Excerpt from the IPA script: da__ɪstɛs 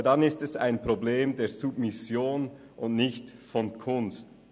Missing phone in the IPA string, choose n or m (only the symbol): n